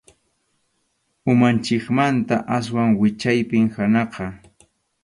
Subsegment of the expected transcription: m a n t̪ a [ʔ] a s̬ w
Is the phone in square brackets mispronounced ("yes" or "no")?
no